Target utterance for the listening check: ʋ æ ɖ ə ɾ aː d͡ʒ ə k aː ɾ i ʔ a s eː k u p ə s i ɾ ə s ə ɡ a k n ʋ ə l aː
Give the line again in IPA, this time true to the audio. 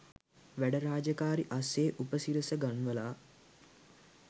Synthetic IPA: ʋ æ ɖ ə ɾ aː d͡ʒ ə k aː ɾ i ʔ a s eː ʔ u p ə s i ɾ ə s ə ɡ a n ʋ ə l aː